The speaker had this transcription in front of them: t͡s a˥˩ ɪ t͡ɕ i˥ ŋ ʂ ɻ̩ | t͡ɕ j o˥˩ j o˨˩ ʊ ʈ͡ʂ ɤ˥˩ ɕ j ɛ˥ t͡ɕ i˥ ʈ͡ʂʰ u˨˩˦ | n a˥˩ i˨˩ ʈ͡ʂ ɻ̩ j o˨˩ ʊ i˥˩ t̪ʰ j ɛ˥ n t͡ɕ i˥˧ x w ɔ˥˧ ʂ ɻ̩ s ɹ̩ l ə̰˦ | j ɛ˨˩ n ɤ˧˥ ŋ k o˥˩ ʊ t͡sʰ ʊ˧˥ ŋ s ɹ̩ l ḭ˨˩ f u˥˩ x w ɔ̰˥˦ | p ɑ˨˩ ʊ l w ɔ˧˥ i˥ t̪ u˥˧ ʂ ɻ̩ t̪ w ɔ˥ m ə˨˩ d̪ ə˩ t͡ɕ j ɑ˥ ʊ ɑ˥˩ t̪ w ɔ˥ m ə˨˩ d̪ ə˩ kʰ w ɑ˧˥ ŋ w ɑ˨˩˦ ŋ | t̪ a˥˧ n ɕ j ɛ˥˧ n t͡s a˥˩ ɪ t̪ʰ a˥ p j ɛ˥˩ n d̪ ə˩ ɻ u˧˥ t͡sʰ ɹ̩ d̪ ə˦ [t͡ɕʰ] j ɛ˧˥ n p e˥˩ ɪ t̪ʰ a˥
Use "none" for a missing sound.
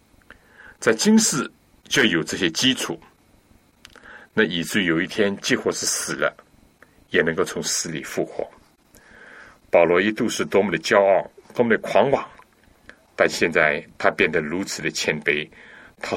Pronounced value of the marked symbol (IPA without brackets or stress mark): t͡ɕʰ